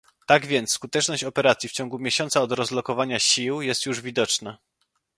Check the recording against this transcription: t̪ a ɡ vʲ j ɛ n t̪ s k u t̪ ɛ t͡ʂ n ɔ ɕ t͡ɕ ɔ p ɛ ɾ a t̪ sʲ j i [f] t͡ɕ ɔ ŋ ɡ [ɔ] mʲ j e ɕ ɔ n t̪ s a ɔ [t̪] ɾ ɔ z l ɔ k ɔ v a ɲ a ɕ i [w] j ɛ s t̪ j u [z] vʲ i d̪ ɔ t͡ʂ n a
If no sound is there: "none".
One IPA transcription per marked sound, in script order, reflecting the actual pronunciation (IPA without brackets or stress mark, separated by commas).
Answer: f, u, d̪, w, ʐ